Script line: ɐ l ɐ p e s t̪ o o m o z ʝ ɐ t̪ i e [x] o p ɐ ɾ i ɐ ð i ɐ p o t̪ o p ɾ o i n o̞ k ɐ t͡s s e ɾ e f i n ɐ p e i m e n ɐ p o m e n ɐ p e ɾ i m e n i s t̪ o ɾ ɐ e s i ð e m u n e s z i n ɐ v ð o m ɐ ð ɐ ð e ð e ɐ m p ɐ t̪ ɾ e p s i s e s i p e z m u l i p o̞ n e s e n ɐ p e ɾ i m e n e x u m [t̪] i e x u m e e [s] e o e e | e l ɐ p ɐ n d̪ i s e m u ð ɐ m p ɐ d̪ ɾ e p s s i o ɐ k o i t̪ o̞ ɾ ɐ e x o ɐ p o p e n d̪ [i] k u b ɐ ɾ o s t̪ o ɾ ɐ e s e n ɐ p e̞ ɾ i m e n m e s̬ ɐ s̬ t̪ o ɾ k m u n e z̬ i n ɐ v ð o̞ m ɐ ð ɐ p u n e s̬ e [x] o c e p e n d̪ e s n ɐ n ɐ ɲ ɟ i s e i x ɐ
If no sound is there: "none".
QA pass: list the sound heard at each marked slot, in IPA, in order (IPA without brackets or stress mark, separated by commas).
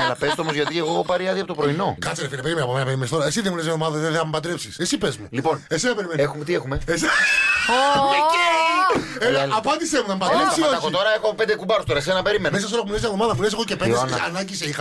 ɣ, t̪, s, e, ɣ